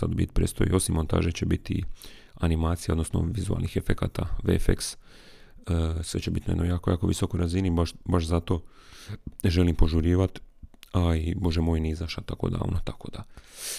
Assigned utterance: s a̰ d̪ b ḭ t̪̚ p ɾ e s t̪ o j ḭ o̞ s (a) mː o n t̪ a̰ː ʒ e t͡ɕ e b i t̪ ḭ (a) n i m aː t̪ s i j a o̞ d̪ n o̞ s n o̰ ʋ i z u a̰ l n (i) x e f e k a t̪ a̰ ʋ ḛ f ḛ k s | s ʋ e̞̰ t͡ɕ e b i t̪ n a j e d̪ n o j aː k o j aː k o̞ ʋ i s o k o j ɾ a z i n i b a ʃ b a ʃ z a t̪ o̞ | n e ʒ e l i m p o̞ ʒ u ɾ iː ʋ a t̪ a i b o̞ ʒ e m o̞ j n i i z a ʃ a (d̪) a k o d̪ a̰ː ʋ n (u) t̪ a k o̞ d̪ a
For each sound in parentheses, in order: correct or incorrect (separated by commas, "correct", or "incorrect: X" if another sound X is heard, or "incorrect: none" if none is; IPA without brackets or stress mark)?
incorrect: i, correct, correct, incorrect: t̪, incorrect: o